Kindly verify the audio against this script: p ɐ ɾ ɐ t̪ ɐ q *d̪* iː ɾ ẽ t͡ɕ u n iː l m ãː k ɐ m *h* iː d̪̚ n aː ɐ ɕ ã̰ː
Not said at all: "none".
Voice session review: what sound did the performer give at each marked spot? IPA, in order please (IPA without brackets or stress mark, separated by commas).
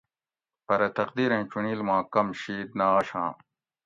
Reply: d̪, ɕ